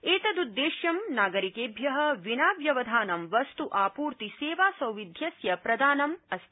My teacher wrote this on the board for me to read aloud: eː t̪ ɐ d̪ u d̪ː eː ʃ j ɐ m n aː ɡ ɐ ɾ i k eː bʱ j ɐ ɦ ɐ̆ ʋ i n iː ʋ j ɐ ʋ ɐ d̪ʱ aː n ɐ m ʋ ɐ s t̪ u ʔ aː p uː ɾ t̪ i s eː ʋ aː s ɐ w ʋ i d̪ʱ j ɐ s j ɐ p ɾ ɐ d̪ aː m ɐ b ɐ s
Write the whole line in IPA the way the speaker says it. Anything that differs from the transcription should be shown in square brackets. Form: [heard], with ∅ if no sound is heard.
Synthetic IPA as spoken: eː t̪ ɐ d̪ u d̪ː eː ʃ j ɐ m n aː ɡ ɐ ɾ i k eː bʱ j ɐ ɦ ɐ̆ ʋ i n [aː] ʋ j ɐ ʋ ɐ d̪ʱ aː n ɐ m ʋ ɐ s t̪ u ʔ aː p uː ɾ t̪ i s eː ʋ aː s ɐ w ʋ i d̪ʱ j ɐ s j ɐ p ɾ ɐ d̪ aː [n] ɐ [m] ɐ s

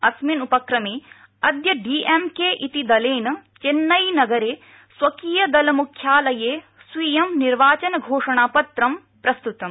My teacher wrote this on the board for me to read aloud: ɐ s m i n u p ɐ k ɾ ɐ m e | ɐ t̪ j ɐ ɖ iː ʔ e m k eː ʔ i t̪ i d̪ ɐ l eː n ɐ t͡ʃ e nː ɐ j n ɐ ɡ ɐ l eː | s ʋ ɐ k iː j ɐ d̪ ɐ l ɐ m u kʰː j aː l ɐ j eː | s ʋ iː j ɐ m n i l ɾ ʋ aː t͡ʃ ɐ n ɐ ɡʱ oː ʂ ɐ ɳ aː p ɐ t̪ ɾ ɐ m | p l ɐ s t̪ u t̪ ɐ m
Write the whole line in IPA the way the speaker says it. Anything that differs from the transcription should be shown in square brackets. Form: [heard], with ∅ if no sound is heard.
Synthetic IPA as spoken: ɐ s m i n u p ɐ k ɾ ɐ m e | ɐ [d̪] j ɐ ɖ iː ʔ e m k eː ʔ i t̪ i d̪ ɐ l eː n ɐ t͡ʃ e nː ɐ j n ɐ ɡ ɐ [ɾ] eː | s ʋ ɐ k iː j ɐ d̪ ɐ l ɐ m u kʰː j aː l ɐ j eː | s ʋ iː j ɐ m n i [∅] ɾ ʋ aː t͡ʃ ɐ n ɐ ɡʱ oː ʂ ɐ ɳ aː p ɐ t̪ ɾ ɐ m | p [ɾ] ɐ s t̪ u t̪ ɐ m

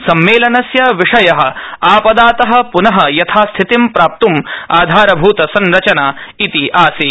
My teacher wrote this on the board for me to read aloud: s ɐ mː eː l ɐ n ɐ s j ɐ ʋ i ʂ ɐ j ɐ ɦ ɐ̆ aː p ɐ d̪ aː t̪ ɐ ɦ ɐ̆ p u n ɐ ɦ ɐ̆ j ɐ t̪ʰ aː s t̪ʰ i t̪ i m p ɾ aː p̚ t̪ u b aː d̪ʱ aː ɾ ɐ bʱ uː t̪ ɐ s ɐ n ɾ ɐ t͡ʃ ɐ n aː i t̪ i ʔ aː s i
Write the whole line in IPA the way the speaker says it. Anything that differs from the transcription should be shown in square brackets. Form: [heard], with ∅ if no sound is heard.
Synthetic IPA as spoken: s ɐ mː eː l ɐ n ɐ s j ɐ ʋ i ʂ ɐ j ɐ ɦ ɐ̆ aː p ɐ d̪ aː t̪ ɐ ɦ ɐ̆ p u n ɐ ɦ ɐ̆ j ɐ t̪ʰ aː s t̪ʰ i t̪ i m p ɾ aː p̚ t̪ u [m] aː d̪ʱ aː ɾ ɐ bʱ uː t̪ ɐ s ɐ n ɾ ɐ t͡ʃ ɐ n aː i t̪ i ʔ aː s i

